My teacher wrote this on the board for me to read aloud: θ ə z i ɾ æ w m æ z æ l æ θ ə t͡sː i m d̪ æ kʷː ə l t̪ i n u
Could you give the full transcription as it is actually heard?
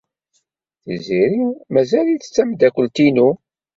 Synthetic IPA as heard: θ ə z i ɾ i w m æ z æ l i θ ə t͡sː æ m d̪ æ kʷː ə l t̪ i n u